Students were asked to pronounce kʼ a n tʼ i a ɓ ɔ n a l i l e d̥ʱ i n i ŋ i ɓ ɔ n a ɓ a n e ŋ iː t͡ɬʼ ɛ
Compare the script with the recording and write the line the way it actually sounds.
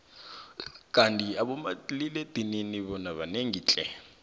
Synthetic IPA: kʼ a n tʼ i a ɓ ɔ m a l i l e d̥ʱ i n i n i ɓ ɔ n a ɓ a n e ŋ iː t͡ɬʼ ɛ